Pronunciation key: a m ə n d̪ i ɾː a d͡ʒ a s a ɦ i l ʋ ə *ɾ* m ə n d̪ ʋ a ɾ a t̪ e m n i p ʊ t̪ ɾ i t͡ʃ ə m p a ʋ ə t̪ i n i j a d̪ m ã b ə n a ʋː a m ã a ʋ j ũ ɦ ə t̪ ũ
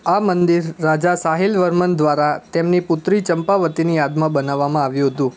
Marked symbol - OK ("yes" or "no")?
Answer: yes